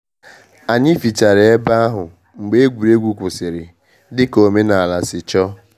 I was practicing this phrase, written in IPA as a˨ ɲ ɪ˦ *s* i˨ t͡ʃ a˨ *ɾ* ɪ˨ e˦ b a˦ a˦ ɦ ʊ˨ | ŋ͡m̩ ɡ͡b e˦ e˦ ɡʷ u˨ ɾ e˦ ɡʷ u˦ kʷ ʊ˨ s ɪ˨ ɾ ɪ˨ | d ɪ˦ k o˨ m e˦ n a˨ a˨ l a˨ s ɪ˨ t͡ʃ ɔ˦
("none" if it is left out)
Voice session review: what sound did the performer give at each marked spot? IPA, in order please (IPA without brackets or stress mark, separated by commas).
f, ɾ